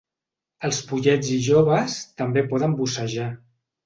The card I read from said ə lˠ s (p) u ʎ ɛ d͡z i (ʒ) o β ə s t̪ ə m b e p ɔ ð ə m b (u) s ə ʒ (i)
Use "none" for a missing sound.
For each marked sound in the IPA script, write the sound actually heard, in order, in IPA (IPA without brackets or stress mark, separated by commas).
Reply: p, ʒ, u, a